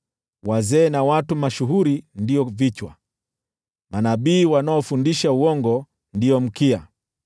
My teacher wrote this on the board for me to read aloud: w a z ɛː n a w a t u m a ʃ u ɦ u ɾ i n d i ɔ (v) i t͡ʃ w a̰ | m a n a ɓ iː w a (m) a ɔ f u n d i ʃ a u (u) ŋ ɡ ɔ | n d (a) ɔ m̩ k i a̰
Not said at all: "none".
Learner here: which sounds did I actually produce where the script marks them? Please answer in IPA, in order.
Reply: v, n, ɔ, i

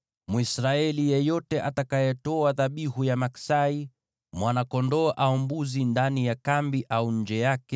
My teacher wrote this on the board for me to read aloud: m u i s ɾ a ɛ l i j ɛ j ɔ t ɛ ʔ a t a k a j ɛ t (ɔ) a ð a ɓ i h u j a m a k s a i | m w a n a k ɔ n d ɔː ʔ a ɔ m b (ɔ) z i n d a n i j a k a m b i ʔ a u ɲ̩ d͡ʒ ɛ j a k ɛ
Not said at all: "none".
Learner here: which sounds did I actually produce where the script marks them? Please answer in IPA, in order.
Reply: ɔ, u

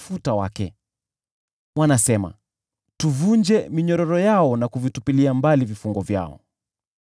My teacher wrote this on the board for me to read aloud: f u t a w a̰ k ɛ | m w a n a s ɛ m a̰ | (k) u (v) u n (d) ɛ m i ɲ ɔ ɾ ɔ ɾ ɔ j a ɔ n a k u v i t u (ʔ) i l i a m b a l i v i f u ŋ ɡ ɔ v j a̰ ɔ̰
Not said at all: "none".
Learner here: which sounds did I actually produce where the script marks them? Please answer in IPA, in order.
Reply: t, v, d͡ʒ, p

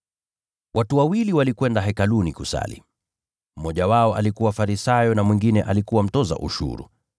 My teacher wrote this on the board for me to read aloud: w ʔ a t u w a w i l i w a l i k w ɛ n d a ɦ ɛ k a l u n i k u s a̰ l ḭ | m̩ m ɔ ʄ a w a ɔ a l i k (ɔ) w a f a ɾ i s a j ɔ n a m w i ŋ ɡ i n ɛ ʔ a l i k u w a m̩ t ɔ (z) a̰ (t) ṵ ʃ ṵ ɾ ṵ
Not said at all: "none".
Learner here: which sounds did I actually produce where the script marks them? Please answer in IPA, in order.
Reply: u, z, ʔ

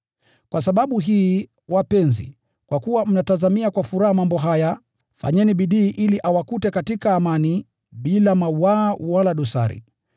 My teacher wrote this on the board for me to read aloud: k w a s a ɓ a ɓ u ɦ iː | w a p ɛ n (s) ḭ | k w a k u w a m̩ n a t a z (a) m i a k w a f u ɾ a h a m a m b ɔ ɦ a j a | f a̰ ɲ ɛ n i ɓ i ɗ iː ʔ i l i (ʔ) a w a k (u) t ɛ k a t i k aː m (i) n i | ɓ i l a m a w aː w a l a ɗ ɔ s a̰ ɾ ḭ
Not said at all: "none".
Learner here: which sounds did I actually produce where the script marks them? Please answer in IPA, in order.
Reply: z, a, ʔ, u, a

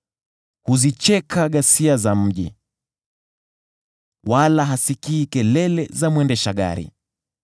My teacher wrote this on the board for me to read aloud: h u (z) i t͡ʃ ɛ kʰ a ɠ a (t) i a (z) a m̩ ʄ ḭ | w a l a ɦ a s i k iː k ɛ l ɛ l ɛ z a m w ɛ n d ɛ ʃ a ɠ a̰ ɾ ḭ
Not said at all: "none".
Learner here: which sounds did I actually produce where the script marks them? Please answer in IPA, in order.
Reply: z, s, z

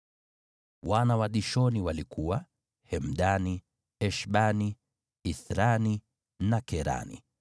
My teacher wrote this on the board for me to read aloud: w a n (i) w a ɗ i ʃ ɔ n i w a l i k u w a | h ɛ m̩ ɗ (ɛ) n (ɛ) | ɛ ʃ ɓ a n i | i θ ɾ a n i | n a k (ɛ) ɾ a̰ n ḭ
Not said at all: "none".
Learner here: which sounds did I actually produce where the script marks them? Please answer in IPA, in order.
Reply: a, a, i, ɛ

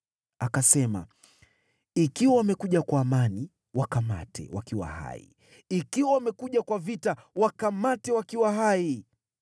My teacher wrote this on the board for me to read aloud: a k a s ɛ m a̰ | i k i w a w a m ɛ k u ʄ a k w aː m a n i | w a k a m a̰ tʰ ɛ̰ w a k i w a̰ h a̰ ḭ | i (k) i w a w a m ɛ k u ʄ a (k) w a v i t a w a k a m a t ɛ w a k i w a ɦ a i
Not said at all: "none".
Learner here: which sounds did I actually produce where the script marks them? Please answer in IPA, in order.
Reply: k, k

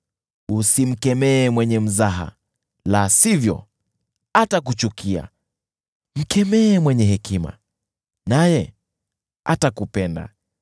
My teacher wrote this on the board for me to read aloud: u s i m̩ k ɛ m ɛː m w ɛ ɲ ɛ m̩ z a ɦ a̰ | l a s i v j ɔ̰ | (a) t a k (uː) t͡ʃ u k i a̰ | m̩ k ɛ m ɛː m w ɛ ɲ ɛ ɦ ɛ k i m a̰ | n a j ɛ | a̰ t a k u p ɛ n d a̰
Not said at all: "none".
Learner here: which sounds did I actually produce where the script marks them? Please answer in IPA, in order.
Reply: a, u

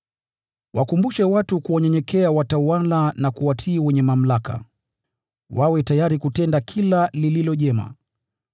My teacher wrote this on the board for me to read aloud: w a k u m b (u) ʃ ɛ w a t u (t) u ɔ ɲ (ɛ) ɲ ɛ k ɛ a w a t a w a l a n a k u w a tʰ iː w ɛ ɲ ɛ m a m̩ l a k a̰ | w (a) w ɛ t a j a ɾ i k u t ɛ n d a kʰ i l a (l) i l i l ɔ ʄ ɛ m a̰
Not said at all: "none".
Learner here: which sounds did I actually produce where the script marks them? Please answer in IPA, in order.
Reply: u, k, ɛ, a, l

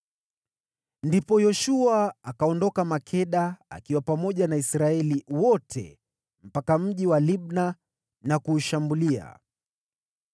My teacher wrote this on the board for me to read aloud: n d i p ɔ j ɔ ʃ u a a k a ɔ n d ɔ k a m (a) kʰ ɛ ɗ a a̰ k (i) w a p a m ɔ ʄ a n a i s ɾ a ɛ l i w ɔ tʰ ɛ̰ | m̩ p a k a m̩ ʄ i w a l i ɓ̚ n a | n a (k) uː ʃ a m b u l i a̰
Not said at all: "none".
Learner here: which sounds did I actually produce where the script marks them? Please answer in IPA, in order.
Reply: a, i, k

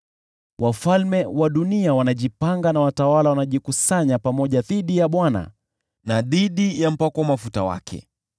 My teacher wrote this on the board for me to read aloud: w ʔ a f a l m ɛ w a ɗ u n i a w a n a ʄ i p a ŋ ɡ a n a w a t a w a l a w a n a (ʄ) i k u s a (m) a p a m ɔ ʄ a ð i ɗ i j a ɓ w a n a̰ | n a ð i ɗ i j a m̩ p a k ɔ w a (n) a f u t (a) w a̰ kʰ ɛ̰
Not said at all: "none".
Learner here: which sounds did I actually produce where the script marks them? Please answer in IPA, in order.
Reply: ʄ, ɲ, m, a

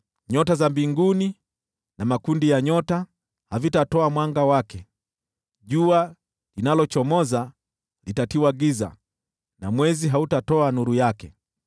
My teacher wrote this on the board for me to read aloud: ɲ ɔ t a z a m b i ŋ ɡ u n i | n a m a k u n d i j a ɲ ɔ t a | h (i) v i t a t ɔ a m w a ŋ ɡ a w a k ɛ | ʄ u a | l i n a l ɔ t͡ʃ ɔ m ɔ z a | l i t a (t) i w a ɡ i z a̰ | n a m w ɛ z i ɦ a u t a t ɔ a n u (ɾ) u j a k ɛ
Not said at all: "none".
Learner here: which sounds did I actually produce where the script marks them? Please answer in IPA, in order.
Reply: a, t, ɾ

